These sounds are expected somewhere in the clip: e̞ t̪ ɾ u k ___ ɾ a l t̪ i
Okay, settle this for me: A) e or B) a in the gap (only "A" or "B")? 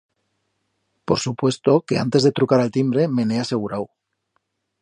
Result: B